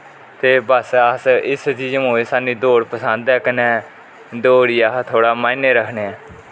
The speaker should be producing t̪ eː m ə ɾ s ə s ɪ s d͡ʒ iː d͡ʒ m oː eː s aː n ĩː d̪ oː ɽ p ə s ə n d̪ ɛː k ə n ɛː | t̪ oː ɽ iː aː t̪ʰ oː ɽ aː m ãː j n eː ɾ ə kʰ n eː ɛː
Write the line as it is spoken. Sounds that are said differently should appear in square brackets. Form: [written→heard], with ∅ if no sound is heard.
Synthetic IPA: t̪ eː [m→b] ə [ɾ→∅] s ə s ɪ s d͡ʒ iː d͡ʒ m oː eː s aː n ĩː d̪ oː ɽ p ə s ə n d̪ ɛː k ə n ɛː | [t̪→d̪] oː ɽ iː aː t̪ʰ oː ɽ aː m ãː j n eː ɾ ə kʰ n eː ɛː